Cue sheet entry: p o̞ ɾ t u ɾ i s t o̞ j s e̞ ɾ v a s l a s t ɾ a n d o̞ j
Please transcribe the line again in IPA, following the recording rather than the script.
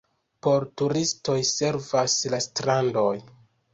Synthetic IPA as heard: p o̞ ɾ t u ɾ i s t o̞ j s e̞ ɾ v a s l a s t ɾ a n d o̞ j